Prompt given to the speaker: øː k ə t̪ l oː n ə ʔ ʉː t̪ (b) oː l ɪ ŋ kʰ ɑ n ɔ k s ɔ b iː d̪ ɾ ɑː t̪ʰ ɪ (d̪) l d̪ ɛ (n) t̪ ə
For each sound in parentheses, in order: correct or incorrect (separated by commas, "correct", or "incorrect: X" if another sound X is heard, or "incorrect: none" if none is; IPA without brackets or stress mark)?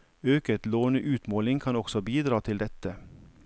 incorrect: m, incorrect: none, incorrect: none